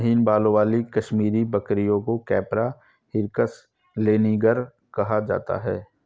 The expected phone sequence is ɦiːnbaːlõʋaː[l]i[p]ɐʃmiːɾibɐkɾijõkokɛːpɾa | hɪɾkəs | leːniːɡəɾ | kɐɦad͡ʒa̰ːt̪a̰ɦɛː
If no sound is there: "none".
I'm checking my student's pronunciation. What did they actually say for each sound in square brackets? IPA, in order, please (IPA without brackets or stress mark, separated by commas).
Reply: l, k